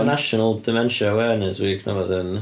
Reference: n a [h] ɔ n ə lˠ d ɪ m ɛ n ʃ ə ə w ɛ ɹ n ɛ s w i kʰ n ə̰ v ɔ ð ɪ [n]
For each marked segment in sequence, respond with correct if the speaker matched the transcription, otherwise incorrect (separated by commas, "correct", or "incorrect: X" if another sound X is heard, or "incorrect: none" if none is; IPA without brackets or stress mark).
incorrect: ʃ, correct